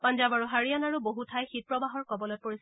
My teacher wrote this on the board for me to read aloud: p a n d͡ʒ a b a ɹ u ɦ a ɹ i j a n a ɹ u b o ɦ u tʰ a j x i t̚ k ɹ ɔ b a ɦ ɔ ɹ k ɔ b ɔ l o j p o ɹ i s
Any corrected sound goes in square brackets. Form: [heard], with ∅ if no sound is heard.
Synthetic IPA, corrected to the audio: p a n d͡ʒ a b a ɹ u ɦ a ɹ i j a n a ɹ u b o ɦ u tʰ a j x i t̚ [p] ɹ ɔ b a ɦ ɔ ɹ k ɔ b ɔ l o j p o ɹ i s